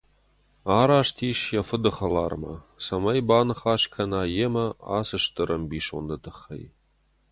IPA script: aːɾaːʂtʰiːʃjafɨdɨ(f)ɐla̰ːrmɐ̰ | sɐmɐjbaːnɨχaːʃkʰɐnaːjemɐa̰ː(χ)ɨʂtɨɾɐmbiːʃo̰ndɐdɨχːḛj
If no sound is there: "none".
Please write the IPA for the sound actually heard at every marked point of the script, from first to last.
χ, s

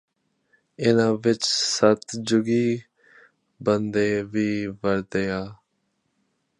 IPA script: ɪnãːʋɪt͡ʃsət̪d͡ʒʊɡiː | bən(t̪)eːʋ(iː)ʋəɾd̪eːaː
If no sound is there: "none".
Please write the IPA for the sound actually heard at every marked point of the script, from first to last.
d̪, iː

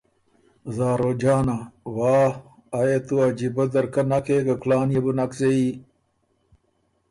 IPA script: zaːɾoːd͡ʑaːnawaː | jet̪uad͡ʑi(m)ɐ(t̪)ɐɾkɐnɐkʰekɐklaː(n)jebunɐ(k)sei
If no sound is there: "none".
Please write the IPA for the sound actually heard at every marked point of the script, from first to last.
b, d̪, n, k

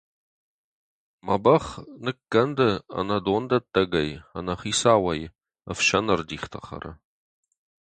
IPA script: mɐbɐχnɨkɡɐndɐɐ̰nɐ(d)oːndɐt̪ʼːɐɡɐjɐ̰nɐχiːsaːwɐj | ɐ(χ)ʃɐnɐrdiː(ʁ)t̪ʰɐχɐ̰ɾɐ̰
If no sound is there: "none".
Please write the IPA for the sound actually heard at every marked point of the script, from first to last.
d, f, χ

